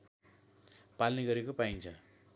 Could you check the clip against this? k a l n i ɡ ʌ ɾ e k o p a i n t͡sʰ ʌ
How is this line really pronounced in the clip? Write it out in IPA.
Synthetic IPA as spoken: p a l n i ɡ ʌ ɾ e k o p a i n t͡sʰ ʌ